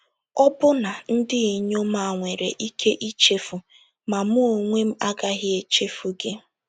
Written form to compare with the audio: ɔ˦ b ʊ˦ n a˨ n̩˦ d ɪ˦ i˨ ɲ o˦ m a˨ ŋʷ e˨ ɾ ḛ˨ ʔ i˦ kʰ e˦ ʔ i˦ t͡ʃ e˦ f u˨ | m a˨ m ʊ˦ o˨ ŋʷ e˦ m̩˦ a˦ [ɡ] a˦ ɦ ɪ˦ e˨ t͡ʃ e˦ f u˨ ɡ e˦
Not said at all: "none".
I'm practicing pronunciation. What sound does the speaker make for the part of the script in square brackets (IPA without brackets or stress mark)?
ɡ